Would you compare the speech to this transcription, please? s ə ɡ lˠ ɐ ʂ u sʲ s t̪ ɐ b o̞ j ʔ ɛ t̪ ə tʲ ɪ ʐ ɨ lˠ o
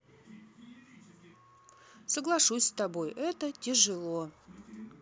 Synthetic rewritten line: s ə ɡ lˠ ɐ ʂ u sʲ s t̪ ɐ b o̞ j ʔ ɛ t̪ ə tʲ ɪ ʐ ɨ lˠ o